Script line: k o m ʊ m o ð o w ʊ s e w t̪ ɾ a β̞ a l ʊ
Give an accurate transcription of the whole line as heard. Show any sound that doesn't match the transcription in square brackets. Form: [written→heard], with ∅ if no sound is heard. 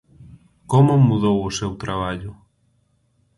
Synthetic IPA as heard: k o m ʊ m [o→u] ð o w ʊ s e w t̪ ɾ a β̞ a [l→ʎ] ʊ